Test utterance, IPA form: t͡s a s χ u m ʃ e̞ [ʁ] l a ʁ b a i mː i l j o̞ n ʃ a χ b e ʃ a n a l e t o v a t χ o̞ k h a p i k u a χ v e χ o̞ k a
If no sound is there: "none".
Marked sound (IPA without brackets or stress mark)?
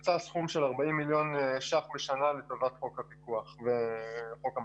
none